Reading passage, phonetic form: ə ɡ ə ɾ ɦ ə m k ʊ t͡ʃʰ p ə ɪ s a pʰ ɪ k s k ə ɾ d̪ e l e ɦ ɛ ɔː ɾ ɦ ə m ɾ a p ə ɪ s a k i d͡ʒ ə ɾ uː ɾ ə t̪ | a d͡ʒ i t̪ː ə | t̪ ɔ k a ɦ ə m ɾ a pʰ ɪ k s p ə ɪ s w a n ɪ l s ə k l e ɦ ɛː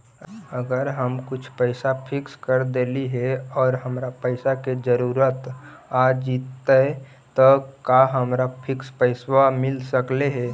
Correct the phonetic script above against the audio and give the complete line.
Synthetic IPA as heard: ə ɡ ə ɾ ɦ ə m k ʊ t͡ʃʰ p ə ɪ s a pʰ ɪ k s k ə ɾ d̪ e l i ɦ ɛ ɔː ɾ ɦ ə m ɾ a p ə ɪ s a k e d͡ʒ ə ɾ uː ɾ ə t̪ | a d͡ʒ i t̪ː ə | t̪ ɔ k a ɦ ə m ɾ a pʰ ɪ k s p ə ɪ s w a m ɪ l s ə k l e ɦ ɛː

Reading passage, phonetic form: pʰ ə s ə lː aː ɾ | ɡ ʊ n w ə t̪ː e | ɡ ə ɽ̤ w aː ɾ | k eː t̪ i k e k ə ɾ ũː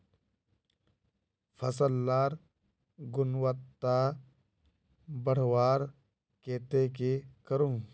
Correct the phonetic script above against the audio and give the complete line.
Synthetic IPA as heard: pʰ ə s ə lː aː ɾ | ɡ ʊ n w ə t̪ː a | b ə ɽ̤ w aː ɾ | k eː t̪ e k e k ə ɾ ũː

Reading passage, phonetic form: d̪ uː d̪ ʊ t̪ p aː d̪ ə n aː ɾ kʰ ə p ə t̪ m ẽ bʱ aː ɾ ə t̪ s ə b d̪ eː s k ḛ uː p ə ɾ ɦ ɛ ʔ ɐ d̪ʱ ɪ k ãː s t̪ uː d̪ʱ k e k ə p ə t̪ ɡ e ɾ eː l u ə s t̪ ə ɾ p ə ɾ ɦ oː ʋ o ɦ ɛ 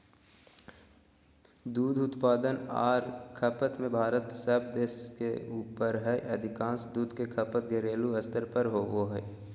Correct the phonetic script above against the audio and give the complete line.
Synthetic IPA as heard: d̪ uː d̪ ʊ t̪ p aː d̪ ə n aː ɾ kʰ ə p ə t̪ m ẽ bʱ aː ɾ ə t̪ s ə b d̪ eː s k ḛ uː p ə ɾ ɦ ɛ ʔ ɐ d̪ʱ ɪ k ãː s d̪ uː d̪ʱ k e kʰ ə p ə t̪ ɡ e ɾ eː l u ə s t̪ ə ɾ p ə ɾ ɦ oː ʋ o ɦ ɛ

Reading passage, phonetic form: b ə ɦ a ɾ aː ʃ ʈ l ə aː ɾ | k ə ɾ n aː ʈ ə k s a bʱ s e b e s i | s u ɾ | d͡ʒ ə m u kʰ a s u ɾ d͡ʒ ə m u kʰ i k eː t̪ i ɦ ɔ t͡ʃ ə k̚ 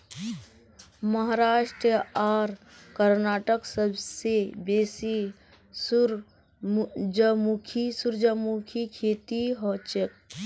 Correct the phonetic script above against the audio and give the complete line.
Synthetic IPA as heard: m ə ɦ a ɾ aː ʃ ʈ ɾ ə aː ɾ | k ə ɾ n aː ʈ ə k s ə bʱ s e b e s i | s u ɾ | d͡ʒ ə m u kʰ i s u ɾ d͡ʒ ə m u kʰ i kʰ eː t̪ i ɦ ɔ t͡ʃ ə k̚

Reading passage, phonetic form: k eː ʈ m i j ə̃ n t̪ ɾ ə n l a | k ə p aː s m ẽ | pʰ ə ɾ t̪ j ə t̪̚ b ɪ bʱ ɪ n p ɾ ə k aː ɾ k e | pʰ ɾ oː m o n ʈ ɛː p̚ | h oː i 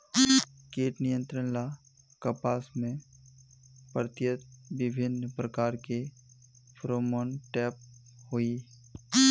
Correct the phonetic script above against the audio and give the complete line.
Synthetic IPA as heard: k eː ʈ n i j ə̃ n t̪ ɾ ə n l a | k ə p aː s m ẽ | p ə ɾ t̪ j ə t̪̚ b ɪ bʱ ɪ n p ɾ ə k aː ɾ k e | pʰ ɾ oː m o n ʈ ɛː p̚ | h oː i

